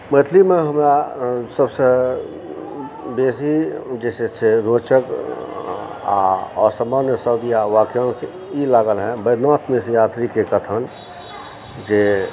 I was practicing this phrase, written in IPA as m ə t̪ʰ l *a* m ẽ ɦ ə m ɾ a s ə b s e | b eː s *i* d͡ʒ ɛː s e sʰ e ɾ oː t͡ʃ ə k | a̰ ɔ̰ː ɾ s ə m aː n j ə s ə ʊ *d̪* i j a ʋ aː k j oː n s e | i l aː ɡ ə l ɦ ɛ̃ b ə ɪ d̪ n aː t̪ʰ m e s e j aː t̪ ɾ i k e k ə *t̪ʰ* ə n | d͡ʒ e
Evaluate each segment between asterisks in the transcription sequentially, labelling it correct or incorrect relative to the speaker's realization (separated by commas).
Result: incorrect, correct, correct, correct